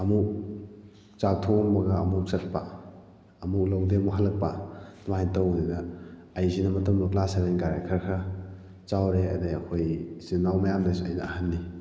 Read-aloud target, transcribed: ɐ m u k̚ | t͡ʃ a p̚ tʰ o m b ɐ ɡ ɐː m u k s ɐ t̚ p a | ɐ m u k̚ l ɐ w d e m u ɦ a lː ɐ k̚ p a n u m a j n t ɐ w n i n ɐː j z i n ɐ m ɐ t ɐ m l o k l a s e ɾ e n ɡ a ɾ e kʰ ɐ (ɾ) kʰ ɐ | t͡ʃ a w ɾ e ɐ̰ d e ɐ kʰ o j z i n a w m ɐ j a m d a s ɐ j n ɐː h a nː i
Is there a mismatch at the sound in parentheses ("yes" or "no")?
no